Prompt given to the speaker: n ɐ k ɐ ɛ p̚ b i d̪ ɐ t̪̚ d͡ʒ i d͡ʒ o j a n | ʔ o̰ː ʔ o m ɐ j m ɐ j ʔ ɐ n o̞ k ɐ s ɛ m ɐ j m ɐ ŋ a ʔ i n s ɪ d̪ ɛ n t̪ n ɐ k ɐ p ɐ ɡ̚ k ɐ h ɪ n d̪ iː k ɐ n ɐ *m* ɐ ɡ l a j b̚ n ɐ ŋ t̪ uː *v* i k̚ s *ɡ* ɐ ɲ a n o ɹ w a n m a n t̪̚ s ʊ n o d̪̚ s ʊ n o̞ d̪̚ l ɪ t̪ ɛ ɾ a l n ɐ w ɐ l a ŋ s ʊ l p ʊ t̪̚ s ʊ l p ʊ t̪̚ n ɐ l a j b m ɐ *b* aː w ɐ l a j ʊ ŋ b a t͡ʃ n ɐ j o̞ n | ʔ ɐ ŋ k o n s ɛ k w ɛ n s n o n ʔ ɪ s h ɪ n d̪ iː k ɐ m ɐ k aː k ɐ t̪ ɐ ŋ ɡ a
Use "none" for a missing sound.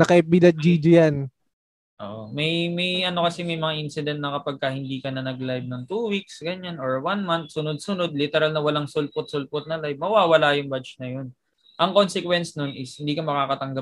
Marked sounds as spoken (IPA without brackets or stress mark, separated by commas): n, w, ɡ, w